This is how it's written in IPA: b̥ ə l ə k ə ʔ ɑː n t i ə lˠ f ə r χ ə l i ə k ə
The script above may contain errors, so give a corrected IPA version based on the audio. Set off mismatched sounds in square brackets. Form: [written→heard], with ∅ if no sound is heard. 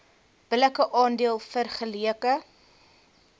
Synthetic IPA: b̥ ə l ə k ə ʔ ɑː n [t→d] i ə lˠ f ə r χ ə l i ə k ə